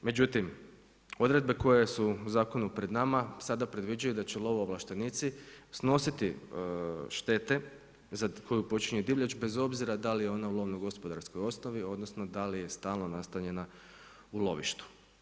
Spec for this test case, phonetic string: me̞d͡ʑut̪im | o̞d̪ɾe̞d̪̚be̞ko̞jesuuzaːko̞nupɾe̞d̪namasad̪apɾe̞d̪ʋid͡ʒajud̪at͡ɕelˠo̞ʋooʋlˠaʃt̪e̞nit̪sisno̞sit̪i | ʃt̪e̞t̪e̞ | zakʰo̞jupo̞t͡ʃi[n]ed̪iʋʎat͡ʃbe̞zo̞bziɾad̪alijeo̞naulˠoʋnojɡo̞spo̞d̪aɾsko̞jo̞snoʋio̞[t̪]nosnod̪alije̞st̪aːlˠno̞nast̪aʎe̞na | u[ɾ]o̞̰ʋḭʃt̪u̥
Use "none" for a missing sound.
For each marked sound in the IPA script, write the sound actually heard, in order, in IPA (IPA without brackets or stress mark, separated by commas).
ɲ, d̪, l